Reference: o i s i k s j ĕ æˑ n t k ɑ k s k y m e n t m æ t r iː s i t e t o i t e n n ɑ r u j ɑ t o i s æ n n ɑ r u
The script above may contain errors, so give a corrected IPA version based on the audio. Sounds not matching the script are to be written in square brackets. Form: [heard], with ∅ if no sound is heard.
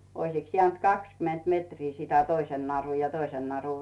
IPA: o i s i k s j ĕ æˑ n t k ɑ k s k y m e n t m [e] t r iː s i t [æ] t o i [s] e n n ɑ r u j ɑ t o i s [e] n n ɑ r u